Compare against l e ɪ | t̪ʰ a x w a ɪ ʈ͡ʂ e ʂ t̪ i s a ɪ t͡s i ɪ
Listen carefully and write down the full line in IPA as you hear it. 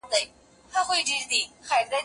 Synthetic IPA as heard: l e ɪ | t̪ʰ a x w e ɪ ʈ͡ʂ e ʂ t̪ i x a ɪ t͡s a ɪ